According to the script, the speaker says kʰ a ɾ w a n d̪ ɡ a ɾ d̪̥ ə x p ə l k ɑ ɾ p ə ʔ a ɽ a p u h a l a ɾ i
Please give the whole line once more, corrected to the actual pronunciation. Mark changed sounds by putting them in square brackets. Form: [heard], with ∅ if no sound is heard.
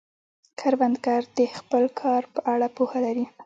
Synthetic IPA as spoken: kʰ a ɾ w a n d̪ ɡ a ɾ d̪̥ ə x p ə l [kʰ] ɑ ɾ p ə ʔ a ɽ a p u h a l a ɾ i